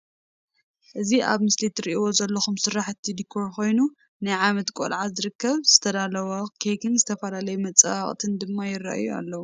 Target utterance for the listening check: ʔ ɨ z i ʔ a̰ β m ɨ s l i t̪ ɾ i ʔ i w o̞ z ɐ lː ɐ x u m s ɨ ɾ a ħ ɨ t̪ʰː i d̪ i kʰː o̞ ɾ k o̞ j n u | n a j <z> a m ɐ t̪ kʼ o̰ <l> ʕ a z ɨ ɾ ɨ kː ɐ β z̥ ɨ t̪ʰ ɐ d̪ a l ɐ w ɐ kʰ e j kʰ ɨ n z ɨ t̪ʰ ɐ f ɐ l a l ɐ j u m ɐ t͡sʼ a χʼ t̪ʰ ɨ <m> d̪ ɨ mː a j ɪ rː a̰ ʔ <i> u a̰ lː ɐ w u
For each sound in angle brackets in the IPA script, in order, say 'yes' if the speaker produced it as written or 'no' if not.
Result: no, yes, no, no

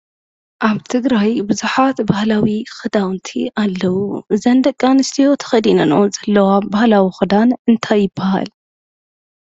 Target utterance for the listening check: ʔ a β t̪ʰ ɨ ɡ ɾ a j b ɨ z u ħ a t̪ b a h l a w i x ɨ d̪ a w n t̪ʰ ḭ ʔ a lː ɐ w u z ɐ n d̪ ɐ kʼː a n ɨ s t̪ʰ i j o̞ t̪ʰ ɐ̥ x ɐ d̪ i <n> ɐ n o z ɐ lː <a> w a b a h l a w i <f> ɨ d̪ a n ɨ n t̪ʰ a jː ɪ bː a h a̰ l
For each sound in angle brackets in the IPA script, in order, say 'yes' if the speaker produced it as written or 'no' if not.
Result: yes, no, no

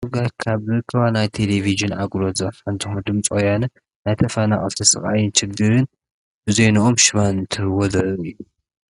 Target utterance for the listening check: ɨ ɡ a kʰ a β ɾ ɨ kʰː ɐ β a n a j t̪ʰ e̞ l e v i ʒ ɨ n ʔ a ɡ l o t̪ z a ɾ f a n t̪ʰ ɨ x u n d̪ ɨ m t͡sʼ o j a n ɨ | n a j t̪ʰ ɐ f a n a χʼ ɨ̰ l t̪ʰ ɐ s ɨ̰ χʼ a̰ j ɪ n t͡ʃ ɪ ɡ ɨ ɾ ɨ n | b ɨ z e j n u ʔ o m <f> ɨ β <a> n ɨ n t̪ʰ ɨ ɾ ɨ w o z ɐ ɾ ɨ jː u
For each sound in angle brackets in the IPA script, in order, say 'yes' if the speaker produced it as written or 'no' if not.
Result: no, yes

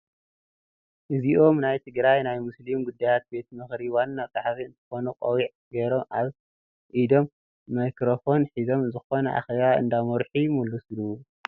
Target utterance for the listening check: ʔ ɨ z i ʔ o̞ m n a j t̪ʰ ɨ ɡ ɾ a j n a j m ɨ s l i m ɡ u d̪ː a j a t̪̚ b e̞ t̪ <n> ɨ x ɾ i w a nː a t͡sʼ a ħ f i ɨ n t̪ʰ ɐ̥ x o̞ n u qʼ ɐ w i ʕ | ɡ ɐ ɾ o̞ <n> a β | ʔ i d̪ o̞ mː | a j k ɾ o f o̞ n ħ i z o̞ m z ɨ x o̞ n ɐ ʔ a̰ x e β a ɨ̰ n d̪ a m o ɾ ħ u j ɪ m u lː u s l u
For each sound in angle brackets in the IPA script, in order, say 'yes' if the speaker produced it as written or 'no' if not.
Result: no, no

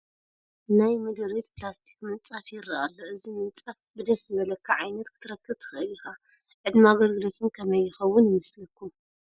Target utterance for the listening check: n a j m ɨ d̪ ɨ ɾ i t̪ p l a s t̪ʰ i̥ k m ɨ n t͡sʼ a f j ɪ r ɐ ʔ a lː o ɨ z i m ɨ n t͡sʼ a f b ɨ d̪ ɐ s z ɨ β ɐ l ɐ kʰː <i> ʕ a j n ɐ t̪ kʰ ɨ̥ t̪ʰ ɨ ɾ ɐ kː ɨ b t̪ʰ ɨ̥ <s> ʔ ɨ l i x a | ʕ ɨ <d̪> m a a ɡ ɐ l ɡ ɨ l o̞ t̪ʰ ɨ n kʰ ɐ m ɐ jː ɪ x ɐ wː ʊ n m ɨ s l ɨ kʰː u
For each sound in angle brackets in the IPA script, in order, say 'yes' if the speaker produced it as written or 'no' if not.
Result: no, no, yes

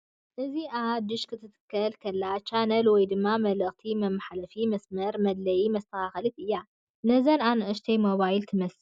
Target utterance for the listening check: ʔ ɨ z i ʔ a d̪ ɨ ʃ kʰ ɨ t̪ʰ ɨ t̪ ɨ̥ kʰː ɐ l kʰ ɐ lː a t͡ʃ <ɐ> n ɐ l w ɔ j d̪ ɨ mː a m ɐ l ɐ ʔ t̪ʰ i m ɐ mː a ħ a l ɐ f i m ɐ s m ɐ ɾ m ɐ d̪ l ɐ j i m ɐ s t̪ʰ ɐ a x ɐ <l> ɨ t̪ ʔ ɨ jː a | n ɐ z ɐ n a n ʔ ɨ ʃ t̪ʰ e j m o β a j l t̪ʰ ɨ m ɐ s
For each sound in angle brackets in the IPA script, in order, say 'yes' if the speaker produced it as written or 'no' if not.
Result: no, yes

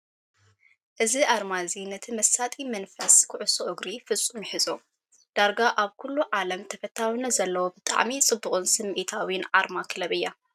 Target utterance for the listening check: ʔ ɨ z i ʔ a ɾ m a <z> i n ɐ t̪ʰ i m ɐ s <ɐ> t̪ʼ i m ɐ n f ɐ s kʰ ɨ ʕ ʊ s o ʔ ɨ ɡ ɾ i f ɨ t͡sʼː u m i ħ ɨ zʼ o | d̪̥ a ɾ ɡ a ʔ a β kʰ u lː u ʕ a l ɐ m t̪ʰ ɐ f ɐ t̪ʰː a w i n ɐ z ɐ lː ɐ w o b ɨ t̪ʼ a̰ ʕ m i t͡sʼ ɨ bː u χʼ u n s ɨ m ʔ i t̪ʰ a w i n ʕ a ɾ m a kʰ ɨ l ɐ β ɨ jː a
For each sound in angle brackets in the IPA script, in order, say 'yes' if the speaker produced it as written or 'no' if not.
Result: yes, no

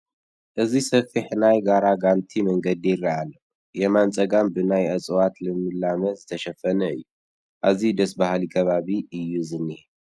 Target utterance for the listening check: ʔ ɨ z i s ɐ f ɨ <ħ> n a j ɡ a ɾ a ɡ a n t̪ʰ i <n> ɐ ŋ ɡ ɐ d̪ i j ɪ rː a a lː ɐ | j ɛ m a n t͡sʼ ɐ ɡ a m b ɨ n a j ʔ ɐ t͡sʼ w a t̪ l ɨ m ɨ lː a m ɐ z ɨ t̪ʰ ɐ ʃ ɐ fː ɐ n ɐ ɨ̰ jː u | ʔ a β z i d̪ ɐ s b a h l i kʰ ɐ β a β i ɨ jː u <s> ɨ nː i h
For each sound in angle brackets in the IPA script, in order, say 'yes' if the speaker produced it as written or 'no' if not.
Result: yes, no, no

